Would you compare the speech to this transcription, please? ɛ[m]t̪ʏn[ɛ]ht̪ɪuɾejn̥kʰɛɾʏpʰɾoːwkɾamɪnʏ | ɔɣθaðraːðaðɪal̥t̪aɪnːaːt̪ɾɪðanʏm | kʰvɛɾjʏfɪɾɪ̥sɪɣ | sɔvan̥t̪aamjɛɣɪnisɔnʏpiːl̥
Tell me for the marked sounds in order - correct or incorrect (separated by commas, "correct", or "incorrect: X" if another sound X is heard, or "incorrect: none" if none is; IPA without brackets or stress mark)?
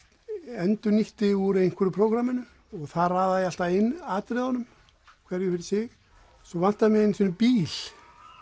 incorrect: n, incorrect: i